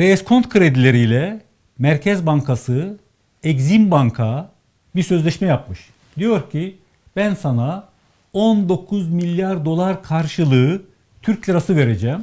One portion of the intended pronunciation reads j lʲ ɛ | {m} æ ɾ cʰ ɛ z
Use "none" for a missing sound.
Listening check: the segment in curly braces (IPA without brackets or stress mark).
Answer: m